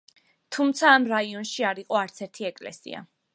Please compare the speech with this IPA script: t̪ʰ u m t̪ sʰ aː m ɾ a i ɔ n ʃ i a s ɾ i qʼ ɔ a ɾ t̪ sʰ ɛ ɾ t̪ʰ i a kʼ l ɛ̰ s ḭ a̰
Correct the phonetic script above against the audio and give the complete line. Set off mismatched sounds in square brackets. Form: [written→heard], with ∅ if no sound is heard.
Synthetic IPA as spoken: t̪ʰ u m t̪ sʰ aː m ɾ a i ɔ n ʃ i a [s→∅] ɾ i qʼ ɔ a ɾ t̪ sʰ ɛ ɾ t̪ʰ i [a→ɛ] kʼ l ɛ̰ s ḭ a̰